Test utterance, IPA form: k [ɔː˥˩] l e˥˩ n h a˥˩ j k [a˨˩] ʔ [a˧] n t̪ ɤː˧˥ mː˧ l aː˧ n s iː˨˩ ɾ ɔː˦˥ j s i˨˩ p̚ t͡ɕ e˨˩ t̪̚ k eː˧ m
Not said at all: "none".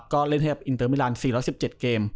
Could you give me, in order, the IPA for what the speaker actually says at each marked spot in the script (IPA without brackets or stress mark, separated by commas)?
ɔː˥˩, a˨˩, i˧